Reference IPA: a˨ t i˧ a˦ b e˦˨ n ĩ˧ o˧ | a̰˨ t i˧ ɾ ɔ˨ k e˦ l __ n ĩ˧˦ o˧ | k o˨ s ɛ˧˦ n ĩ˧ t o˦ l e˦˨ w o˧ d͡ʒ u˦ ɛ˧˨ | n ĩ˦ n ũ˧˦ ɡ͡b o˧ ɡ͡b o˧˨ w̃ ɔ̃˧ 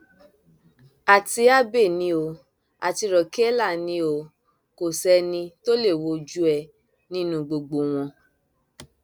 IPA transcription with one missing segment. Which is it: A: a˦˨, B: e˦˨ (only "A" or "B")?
A